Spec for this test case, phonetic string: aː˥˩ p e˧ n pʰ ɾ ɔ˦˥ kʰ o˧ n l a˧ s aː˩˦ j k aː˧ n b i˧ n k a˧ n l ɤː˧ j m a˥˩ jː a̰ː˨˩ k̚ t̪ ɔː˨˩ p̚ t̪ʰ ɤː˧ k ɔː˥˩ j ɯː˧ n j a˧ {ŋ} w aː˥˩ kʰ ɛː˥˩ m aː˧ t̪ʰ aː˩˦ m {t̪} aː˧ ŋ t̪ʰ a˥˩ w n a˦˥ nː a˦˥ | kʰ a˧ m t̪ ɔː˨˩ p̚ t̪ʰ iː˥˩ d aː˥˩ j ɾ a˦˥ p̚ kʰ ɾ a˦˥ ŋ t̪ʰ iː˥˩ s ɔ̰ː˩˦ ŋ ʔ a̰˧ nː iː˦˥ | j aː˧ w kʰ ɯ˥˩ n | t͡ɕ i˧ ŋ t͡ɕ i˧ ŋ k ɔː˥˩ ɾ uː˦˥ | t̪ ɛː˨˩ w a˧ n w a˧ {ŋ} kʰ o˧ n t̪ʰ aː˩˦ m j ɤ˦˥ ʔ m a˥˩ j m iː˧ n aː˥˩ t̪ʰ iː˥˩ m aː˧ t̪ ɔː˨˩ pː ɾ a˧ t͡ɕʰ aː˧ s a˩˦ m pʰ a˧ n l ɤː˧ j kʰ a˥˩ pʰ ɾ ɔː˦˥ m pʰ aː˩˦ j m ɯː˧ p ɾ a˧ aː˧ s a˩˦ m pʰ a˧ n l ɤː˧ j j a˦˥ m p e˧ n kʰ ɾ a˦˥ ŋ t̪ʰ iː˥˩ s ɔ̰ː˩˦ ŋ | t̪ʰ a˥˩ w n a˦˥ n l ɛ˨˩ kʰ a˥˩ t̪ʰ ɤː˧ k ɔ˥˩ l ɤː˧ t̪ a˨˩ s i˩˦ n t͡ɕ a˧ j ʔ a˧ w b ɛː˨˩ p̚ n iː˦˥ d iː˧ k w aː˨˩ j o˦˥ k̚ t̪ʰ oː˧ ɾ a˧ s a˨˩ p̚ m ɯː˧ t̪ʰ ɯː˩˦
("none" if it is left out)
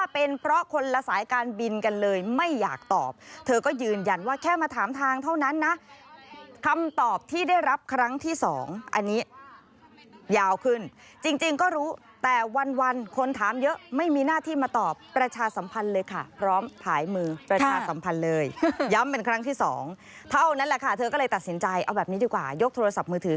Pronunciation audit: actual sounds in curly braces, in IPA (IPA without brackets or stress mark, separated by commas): n, t̪ʰ, n